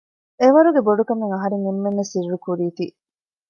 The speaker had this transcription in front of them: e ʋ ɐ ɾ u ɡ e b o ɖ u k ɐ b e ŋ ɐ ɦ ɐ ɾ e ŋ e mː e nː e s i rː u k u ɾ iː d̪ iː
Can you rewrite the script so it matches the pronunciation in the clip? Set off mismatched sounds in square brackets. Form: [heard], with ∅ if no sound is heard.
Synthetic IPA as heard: e ʋ ɐ ɾ u ɡ e b o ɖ u k ɐ [m] e ŋ ɐ ɦ ɐ ɾ e ŋ e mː e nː e s i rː u k u ɾ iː [t̪] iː